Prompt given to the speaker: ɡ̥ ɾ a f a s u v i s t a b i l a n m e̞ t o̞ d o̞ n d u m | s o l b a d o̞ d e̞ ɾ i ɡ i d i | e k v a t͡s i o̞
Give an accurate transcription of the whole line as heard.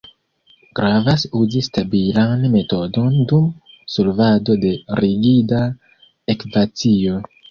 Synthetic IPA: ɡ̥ ɾ a v a s u z i s t a b i l a n m e̞ t o̞ d o̞ n d u m | s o l v a d o̞ d e̞ ɾ i ɡ i d a | e k v a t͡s i o̞